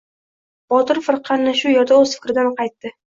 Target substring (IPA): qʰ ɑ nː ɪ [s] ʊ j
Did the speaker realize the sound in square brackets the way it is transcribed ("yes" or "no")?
no